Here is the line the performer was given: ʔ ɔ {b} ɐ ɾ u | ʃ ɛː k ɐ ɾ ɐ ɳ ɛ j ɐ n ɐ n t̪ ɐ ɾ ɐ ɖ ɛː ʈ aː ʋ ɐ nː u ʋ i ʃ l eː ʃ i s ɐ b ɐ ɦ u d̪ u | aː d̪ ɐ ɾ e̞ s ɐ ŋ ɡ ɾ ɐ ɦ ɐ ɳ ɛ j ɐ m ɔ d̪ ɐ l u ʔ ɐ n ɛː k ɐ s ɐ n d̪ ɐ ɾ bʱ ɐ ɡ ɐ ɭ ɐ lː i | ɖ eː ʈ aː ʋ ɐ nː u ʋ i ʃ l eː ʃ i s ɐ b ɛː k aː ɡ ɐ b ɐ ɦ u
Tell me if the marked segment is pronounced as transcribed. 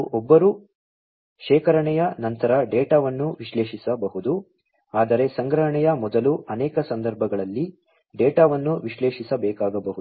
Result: no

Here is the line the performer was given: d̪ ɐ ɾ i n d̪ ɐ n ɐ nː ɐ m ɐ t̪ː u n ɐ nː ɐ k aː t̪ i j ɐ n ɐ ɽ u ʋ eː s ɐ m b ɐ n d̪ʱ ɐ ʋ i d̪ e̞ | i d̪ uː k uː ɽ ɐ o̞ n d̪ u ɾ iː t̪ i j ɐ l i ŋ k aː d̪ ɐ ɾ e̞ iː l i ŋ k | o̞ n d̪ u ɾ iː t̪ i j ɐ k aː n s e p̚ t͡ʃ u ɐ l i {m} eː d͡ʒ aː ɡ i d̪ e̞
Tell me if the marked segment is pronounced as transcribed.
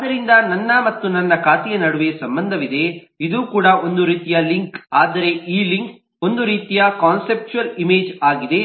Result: yes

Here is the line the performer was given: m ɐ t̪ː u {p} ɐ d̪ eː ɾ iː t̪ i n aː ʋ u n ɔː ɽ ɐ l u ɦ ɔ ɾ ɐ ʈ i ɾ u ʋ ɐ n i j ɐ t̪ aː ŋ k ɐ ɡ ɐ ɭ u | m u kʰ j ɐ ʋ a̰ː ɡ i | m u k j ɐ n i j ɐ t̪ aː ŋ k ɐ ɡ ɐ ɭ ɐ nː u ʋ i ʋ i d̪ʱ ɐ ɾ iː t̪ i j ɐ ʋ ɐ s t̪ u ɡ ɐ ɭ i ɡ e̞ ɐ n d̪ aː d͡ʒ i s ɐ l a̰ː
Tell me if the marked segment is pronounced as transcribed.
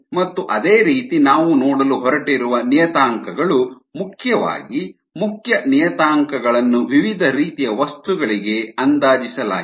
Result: no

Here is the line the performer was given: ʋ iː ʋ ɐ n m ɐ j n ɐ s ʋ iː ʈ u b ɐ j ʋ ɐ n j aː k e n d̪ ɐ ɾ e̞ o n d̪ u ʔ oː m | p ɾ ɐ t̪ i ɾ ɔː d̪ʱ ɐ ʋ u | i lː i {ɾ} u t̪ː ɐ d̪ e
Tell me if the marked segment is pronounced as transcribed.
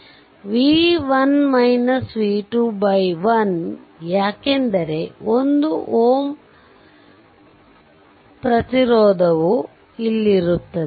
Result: yes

